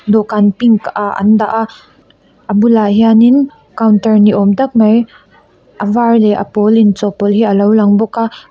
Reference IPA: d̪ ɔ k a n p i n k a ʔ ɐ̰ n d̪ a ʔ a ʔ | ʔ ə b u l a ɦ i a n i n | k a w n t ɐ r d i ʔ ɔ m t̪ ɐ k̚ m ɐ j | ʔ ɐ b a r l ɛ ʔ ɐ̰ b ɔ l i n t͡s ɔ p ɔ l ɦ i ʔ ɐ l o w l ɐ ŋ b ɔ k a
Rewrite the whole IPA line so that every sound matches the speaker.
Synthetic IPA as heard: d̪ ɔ k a n p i ŋ k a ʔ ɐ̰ n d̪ a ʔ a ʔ | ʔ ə b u l a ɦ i a n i n | k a w n t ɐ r n i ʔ ɔ m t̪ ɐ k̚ m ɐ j | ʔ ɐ v a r l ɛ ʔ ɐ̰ p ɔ l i n t͡s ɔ p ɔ l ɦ i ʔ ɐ l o w l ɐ ŋ b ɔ k a